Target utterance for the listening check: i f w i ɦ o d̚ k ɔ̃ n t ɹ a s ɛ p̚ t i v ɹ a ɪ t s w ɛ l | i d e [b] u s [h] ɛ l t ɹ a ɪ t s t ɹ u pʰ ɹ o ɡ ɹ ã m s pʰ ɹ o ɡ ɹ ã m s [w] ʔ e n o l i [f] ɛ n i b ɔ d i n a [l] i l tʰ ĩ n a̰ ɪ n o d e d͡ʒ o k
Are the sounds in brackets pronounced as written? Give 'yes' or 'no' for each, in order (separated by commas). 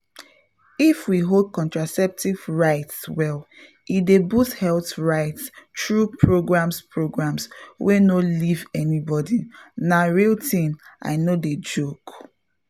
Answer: yes, yes, yes, no, no